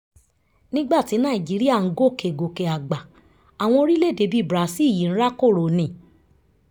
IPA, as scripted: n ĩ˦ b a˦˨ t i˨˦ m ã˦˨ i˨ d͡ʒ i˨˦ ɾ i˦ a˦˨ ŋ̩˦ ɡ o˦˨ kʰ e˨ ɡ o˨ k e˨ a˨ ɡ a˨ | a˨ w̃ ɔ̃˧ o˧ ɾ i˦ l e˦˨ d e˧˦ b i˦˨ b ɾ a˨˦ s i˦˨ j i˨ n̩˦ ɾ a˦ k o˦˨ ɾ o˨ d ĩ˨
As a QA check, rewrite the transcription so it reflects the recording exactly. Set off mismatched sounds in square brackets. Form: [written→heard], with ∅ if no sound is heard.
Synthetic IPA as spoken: n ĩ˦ [b→ɡ͡b] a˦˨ t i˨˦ [m→n] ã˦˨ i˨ d͡ʒ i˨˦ ɾ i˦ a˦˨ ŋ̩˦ ɡ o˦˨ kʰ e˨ ɡ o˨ k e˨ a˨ [ɡ→ɡ͡b] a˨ | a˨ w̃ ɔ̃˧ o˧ ɾ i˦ l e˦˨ d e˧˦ b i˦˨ b ɾ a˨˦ s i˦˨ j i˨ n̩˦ ɾ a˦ k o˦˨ ɾ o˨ [d→n] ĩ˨